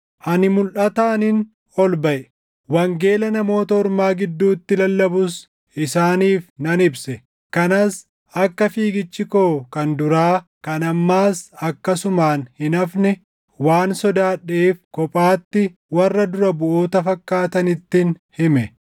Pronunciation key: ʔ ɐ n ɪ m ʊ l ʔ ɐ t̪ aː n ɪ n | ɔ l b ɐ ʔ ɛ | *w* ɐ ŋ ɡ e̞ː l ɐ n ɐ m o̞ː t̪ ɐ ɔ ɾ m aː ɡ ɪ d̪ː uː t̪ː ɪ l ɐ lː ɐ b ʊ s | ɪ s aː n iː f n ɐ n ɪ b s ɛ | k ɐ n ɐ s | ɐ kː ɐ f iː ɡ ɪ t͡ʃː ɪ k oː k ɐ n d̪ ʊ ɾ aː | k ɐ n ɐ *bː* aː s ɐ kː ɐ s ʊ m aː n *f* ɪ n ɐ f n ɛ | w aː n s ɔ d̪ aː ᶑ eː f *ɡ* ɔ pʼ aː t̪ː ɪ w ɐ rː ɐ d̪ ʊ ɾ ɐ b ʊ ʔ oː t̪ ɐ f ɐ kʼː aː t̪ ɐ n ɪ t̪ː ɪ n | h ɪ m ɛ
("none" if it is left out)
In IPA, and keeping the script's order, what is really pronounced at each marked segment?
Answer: w, mː, h, k

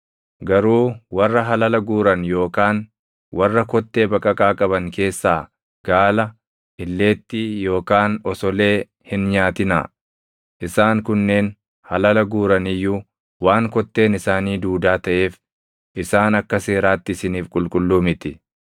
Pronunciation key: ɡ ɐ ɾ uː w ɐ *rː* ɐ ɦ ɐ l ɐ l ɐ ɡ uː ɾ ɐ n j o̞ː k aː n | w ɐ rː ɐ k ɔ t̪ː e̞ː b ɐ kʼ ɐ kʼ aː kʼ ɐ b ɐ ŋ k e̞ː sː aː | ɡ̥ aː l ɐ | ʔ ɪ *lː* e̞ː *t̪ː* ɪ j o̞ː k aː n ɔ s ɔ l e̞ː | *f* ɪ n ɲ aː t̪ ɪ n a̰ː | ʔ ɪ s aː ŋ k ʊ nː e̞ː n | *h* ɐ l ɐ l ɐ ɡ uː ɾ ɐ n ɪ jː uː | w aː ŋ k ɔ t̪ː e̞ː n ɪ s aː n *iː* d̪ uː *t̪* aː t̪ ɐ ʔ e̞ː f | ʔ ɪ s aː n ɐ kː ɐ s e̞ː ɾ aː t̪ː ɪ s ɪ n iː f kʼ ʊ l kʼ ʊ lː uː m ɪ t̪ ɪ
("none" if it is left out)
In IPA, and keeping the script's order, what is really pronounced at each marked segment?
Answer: rː, lː, t̪ː, h, h, iː, d̪

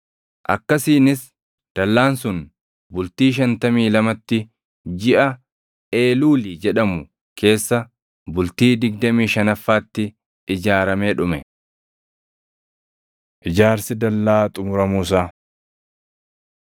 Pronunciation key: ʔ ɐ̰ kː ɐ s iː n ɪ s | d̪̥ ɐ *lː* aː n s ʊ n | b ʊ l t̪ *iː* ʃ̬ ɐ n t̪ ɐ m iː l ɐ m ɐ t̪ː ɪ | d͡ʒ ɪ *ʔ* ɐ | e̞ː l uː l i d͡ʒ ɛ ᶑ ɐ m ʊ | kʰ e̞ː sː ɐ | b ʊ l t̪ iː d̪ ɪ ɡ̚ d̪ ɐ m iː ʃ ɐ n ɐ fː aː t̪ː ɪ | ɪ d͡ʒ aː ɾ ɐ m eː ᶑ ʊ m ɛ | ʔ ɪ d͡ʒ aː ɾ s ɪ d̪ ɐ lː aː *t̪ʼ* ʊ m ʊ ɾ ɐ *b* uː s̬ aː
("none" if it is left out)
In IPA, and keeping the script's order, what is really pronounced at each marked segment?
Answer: lː, iː, ʔ, t̪ʼ, m

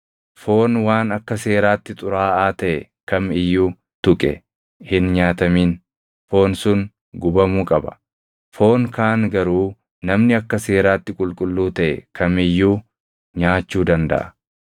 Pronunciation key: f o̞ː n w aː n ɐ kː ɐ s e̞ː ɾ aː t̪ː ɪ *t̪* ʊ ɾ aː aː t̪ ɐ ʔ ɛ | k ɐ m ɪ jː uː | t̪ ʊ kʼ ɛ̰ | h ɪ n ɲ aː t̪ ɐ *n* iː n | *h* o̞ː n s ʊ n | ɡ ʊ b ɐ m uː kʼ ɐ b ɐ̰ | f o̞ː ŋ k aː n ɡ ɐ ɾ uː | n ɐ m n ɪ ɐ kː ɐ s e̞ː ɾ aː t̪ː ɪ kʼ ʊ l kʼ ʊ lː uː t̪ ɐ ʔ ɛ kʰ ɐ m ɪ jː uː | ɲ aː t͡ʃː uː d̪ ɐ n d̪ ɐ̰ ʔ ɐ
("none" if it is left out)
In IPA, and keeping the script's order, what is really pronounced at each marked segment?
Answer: t̪ʼ, m, f

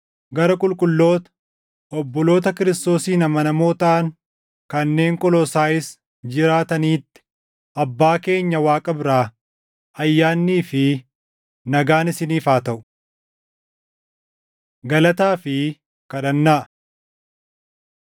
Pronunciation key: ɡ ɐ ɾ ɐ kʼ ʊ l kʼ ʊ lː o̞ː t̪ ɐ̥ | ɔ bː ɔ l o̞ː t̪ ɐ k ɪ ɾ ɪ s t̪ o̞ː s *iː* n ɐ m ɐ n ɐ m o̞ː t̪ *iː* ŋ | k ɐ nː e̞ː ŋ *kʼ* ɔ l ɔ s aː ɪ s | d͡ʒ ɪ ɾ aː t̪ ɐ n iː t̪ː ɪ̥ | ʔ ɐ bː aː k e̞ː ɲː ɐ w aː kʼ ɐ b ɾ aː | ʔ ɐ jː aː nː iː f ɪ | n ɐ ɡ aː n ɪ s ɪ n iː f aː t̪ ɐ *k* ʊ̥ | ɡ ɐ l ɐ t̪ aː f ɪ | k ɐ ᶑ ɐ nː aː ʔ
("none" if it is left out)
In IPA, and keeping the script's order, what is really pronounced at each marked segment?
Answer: iː, aː, kʼ, ʔ

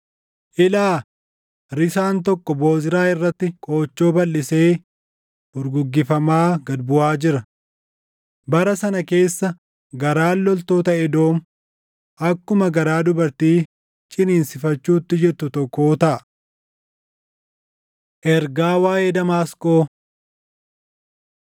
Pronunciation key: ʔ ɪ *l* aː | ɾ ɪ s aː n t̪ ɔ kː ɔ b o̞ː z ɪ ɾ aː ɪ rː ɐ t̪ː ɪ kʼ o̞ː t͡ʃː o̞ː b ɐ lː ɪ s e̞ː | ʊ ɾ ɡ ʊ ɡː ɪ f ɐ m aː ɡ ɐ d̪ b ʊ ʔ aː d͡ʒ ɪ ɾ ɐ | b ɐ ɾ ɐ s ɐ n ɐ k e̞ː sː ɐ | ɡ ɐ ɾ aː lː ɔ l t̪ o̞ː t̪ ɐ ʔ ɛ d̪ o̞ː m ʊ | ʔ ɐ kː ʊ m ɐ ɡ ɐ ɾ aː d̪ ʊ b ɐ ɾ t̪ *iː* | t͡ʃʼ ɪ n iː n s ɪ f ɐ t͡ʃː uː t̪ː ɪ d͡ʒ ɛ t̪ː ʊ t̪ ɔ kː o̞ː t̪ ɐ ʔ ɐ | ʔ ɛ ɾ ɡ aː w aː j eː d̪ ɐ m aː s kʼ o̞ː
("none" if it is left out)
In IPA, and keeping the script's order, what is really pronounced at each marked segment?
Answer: l, iː

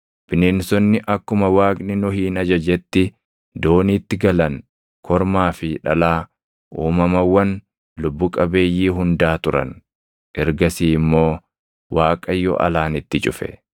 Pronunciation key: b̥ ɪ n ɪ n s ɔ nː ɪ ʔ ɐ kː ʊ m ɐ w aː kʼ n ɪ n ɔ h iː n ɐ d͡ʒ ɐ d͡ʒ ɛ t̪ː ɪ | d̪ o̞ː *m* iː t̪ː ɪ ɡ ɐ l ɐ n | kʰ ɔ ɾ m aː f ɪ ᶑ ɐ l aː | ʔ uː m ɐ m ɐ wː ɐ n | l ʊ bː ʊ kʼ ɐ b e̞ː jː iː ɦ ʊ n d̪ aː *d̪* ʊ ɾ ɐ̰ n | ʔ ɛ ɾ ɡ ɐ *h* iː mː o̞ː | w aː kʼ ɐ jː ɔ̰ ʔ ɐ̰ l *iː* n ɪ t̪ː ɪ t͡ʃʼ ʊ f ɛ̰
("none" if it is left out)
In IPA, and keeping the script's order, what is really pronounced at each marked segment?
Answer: n, t̪, s, aː

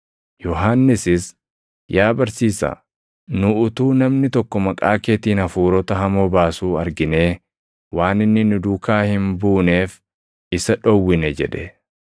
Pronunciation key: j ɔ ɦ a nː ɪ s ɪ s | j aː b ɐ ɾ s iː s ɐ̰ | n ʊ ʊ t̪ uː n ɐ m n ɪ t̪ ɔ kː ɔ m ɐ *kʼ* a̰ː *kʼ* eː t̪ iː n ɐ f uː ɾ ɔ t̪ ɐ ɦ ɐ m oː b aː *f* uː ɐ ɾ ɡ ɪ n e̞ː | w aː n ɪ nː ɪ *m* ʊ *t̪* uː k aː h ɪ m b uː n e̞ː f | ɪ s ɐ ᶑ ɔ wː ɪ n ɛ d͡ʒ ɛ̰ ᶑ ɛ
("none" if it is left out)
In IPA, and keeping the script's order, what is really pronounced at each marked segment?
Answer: kʼ, k, s, n, d̪

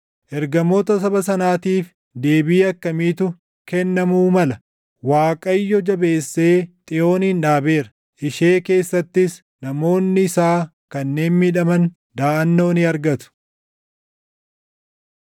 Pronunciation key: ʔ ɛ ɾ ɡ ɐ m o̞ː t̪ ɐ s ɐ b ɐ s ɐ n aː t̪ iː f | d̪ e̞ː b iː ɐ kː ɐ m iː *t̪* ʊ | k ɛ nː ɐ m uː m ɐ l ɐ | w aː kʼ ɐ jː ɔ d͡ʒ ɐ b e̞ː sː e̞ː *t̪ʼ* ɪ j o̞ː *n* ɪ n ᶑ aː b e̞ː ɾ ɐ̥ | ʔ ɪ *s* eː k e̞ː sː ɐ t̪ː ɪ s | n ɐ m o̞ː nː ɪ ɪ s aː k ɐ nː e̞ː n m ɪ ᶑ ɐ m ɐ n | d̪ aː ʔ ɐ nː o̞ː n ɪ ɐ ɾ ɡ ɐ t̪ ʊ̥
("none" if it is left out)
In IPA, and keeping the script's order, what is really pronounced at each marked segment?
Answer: t̪, t̪ʼ, n, ʃ

